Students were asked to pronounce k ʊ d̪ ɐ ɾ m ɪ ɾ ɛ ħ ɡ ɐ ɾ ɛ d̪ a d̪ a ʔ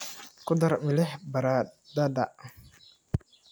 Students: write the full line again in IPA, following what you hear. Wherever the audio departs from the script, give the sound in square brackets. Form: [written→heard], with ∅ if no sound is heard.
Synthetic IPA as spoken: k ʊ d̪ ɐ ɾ m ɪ [ɾ→l] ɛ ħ [ɡ→b] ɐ ɾ [ɛ→a] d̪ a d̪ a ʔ